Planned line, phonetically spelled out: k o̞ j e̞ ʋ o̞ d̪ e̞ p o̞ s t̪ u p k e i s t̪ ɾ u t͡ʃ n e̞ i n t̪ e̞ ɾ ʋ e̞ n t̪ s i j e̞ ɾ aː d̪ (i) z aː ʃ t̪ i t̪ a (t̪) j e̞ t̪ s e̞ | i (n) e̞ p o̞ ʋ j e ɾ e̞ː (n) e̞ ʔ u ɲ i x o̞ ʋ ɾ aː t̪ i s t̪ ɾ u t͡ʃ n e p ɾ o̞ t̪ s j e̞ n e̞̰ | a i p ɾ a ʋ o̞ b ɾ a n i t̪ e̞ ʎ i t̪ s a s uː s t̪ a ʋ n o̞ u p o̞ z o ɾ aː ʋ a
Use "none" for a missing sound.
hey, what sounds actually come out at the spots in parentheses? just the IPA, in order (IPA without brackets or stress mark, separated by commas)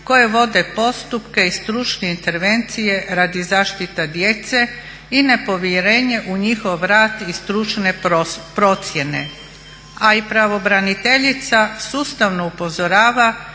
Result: i, d̪, n, ɲ